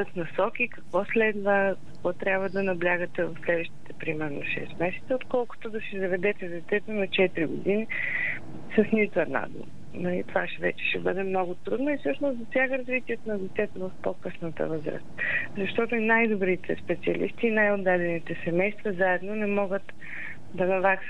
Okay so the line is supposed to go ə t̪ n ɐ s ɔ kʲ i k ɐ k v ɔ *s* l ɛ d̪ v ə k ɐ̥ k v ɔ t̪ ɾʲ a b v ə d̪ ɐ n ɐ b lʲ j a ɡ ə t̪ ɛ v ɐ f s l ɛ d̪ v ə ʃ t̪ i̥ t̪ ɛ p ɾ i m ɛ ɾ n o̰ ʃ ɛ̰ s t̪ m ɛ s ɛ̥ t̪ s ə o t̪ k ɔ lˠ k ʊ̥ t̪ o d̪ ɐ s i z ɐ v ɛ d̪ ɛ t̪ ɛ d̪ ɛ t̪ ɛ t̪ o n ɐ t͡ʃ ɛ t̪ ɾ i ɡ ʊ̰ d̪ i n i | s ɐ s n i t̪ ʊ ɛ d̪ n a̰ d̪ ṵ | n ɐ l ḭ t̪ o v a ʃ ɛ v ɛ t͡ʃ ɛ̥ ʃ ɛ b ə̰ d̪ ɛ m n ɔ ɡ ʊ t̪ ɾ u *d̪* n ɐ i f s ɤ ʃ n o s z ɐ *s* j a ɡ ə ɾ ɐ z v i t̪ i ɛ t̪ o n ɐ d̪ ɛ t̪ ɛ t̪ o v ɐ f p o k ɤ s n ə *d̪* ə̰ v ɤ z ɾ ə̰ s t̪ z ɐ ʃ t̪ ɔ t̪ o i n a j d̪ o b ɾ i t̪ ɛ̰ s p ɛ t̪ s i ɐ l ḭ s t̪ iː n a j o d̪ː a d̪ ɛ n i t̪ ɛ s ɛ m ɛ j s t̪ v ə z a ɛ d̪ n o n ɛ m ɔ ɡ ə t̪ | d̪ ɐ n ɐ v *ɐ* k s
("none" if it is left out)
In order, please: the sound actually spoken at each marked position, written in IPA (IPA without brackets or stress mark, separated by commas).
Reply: s, d̪, s, t̪, a